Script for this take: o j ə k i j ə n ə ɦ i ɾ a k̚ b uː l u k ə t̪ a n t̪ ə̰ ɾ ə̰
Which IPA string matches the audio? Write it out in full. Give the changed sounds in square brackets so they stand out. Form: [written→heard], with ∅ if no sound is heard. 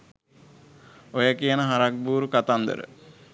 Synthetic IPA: o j ə k i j ə n ə ɦ [i→a] ɾ a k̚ b uː [l→ɾ] u k [ə→a] t̪ a n [t̪→d̪] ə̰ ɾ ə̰